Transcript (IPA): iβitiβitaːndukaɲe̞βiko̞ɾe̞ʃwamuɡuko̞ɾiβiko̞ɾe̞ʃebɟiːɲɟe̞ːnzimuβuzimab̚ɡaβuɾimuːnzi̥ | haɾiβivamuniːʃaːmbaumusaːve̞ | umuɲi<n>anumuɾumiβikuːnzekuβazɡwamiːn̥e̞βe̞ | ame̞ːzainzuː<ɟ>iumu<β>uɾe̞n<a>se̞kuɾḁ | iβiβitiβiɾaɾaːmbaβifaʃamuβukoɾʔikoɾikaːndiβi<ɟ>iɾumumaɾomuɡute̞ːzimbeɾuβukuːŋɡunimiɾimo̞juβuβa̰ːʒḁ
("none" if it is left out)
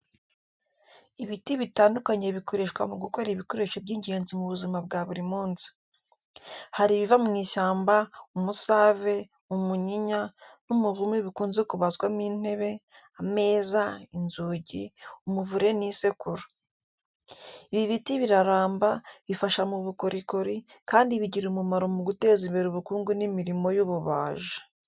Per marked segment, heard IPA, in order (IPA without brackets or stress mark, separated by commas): ɲ, ɟ, v, i, ɟ